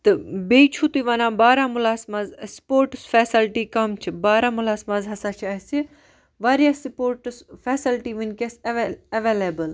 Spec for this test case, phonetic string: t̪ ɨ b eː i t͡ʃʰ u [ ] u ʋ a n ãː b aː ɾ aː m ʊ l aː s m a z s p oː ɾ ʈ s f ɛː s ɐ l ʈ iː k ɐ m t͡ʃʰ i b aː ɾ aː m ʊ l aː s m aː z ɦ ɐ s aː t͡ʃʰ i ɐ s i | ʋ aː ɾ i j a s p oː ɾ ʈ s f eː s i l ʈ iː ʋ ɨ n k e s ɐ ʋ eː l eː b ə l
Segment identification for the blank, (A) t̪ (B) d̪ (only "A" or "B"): A